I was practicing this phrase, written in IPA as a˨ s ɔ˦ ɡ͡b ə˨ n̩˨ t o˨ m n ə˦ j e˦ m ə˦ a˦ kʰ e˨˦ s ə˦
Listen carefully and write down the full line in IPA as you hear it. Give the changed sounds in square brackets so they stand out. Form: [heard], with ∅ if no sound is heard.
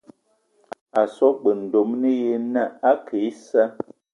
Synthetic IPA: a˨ s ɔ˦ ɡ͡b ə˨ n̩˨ [d] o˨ m n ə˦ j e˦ [n] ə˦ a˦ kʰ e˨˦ s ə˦